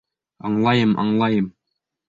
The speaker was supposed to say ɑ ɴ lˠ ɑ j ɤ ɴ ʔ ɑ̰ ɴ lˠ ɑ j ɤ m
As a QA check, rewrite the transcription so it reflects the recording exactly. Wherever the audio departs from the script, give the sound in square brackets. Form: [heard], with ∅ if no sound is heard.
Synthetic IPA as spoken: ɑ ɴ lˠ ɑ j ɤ [m] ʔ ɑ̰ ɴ lˠ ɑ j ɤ m

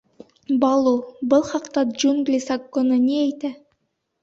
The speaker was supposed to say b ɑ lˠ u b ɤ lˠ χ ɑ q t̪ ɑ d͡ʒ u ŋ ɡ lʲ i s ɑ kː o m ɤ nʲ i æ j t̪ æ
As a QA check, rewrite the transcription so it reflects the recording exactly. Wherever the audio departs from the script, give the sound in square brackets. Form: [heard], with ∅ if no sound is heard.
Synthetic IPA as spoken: b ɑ lˠ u b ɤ lˠ χ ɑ q t̪ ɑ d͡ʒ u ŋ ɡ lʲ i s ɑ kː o [n] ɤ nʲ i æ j t̪ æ

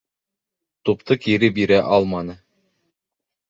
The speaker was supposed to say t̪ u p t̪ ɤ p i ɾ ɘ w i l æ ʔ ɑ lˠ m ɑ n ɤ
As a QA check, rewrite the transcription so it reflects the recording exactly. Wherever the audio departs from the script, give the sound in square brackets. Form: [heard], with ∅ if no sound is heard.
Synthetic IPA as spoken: t̪ u p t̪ ɤ [k] i ɾ ɘ [b] i [ɾ] æ ʔ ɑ lˠ m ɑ n ɤ

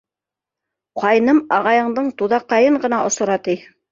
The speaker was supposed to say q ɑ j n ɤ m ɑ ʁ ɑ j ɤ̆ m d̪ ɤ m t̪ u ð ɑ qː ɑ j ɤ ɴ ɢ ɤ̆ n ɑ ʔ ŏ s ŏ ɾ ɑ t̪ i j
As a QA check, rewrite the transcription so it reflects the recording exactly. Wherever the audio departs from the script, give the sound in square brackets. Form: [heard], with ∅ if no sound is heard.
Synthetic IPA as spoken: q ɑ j n ɤ m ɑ ʁ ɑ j ɤ̆ [ɴ] d̪ ɤ [ɴ] t̪ u ð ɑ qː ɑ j ɤ ɴ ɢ ɤ̆ n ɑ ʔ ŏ s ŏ ɾ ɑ t̪ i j

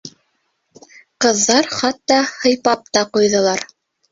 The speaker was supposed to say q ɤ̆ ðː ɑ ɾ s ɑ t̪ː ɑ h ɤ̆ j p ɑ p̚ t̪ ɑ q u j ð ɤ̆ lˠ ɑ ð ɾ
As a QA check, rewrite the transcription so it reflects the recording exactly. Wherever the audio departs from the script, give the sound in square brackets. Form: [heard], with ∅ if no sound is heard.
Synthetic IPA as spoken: q ɤ̆ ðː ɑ ɾ [χ] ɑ t̪ː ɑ h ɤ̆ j p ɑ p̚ t̪ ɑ q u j ð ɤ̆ lˠ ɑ [∅] ɾ

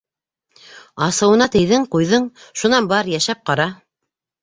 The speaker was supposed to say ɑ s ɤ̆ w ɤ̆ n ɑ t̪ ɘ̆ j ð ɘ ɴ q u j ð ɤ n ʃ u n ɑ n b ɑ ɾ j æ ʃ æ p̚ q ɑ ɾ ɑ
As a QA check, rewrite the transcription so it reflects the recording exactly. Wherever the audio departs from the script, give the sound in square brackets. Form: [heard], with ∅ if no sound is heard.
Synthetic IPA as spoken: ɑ s ɤ̆ w ɤ̆ n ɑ t̪ ɘ̆ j ð ɘ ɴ q u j ð ɤ [ɴ] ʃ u n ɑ n b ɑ ɾ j æ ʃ æ p̚ q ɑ ɾ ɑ

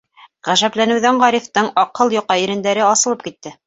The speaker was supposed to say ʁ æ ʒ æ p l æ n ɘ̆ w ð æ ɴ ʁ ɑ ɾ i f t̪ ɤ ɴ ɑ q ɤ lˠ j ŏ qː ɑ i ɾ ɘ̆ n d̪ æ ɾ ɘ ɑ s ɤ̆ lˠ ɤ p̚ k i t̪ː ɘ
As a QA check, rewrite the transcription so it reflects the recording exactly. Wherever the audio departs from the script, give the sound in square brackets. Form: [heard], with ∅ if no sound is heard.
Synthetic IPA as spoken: ʁ æ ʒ æ p l æ n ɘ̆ w ð æ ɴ ʁ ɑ ɾ i f t̪ ɤ ɴ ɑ q ɤ lˠ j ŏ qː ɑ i ɾ ɘ̆ n d̪ æ ɾ ɘ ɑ s ɤ̆ lˠ ɤ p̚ k i t̪ː ɘ

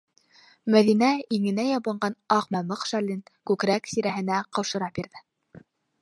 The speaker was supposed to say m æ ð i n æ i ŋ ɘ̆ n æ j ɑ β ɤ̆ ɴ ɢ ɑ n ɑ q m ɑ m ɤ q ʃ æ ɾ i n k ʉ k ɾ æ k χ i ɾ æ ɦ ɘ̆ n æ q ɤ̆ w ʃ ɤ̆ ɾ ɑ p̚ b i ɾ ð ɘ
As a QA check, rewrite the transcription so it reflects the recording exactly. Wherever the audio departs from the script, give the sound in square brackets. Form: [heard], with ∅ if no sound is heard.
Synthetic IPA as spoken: m æ ð i n æ i ŋ ɘ̆ n æ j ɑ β ɤ̆ ɴ ɢ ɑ n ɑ q m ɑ m ɤ q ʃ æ [l] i n k ʉ k ɾ æ k [s] i ɾ æ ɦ ɘ̆ n æ q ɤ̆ w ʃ ɤ̆ ɾ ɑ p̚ b i ɾ ð ɘ

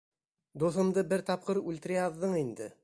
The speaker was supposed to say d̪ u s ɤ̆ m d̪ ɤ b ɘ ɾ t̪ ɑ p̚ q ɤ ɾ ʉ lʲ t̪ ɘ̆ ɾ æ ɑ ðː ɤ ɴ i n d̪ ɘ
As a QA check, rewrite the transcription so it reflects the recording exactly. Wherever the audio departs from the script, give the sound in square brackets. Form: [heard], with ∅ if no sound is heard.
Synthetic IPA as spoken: d̪ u [θ] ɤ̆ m d̪ ɤ b ɘ ɾ t̪ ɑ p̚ q ɤ ɾ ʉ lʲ t̪ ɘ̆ ɾ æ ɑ ðː ɤ ɴ i n d̪ ɘ

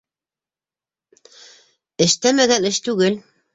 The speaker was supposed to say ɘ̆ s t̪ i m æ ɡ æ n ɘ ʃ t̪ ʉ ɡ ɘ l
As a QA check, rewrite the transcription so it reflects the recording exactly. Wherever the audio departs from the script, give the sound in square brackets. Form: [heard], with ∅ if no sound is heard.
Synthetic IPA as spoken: ɘ̆ [ʃ] t̪ [æ] m æ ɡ æ n ɘ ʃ t̪ ʉ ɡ ɘ l

